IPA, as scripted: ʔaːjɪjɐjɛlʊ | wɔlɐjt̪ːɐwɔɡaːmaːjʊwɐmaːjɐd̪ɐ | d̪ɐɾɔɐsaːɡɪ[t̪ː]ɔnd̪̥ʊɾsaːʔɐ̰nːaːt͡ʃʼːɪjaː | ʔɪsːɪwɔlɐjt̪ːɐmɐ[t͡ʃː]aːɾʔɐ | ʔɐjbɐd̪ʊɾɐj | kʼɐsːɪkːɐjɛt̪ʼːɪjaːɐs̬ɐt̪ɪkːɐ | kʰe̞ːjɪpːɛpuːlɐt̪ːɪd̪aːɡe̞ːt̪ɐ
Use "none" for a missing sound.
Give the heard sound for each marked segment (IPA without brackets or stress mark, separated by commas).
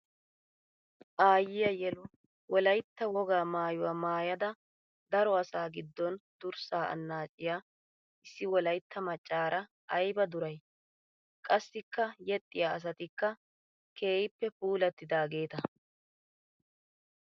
d̪ː, t͡ʃʼː